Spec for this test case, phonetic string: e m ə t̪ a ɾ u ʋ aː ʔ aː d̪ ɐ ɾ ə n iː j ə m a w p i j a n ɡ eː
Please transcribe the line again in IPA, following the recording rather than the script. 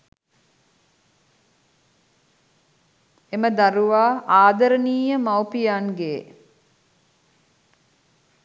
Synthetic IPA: e m ə d̪ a ɾ u ʋ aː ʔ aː d̪ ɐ ɾ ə n iː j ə m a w p i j a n ɡ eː